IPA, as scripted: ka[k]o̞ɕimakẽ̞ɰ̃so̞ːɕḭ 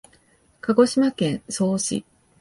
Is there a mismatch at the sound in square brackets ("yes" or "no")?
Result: yes